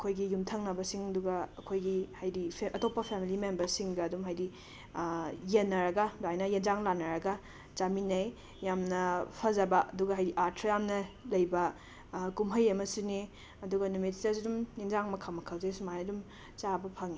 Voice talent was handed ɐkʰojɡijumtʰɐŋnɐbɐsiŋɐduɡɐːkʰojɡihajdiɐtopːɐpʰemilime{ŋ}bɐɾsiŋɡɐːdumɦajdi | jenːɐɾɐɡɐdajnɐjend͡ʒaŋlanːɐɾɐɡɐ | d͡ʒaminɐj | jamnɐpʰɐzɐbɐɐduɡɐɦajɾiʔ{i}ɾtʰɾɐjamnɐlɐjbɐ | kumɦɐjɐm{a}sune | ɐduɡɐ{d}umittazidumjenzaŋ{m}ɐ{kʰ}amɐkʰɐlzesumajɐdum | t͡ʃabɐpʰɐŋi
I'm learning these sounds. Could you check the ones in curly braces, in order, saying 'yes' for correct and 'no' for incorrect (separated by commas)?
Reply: no, no, no, no, yes, yes